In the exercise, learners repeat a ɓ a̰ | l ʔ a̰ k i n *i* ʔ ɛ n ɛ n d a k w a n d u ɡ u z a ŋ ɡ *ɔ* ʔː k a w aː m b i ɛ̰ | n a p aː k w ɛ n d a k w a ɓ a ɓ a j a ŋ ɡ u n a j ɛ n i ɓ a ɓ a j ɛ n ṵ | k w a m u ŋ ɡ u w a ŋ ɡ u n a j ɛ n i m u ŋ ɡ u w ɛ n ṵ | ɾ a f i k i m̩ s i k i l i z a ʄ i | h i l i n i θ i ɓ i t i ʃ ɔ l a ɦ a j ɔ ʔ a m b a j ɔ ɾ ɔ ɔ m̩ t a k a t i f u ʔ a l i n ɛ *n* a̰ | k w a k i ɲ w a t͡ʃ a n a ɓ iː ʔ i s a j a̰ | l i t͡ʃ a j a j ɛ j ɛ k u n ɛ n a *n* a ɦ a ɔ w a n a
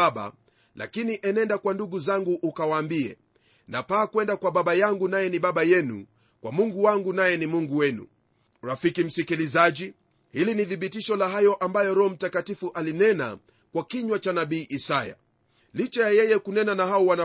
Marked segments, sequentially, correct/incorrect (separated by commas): correct, incorrect, correct, correct